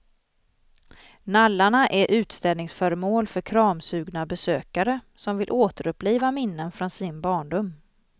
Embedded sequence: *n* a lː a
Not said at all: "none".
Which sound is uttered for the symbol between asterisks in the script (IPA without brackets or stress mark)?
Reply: n